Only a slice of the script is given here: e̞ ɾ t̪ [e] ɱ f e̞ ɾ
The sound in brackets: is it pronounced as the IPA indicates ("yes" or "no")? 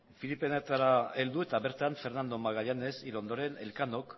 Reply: no